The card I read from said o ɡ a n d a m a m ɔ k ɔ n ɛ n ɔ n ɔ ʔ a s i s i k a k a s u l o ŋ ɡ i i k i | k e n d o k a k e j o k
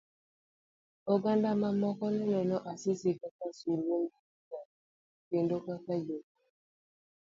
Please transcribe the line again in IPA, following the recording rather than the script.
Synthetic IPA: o ɡ a n d a m a m ɔ k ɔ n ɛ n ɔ n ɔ ʔ a s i s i k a k a s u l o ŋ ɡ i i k a | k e n d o k a k a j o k